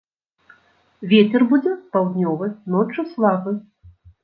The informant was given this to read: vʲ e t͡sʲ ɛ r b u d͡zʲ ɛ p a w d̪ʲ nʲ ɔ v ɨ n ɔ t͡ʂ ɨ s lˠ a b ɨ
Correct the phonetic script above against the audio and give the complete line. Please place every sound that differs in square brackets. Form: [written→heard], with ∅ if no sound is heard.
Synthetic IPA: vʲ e t͡sʲ ɛ r b u d͡zʲ ɛ p a w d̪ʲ nʲ ɔ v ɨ n ɔ t͡ʂ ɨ s lˠ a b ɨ